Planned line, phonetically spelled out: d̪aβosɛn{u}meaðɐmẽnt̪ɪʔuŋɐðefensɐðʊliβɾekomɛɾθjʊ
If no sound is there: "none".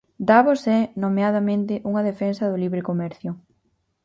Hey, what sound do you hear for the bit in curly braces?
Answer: o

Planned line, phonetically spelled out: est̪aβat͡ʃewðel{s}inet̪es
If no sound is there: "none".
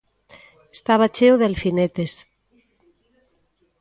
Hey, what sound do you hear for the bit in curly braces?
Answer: f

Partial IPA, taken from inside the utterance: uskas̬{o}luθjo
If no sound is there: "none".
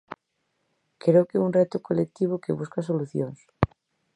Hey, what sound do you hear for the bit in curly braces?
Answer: o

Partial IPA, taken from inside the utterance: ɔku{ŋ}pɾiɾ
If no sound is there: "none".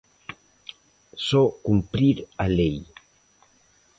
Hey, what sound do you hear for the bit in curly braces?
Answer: m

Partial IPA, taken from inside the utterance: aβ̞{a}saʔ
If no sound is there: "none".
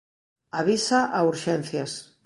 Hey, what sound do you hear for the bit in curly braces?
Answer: i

